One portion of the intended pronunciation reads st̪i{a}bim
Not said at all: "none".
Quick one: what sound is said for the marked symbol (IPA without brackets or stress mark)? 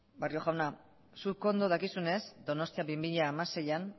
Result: a